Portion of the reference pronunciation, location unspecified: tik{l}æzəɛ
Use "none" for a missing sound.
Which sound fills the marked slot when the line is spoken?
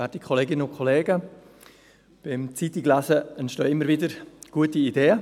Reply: l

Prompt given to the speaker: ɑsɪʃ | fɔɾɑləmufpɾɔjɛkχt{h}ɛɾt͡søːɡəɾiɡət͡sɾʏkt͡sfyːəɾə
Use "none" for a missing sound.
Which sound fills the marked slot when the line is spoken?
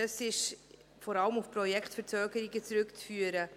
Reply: f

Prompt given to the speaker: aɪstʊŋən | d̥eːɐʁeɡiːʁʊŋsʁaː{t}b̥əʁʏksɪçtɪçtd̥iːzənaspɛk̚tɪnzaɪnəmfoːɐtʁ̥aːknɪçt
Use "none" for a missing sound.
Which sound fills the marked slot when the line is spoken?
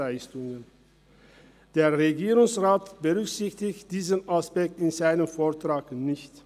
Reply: t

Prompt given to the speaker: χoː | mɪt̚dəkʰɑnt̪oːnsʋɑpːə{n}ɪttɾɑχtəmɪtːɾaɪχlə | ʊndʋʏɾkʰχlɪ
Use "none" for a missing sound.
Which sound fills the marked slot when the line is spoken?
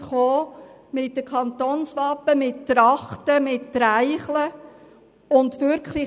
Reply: m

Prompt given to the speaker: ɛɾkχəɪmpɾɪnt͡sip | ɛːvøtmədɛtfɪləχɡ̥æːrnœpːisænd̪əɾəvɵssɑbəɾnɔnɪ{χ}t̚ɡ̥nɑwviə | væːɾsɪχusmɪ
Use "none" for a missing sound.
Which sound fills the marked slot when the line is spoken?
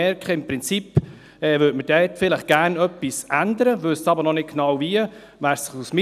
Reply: none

